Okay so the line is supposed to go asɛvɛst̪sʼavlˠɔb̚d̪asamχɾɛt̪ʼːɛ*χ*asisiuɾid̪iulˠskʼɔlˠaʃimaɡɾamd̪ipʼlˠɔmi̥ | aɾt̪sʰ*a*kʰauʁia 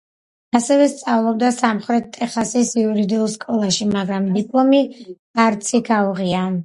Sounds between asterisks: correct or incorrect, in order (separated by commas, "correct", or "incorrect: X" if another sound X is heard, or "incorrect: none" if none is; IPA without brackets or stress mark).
correct, incorrect: i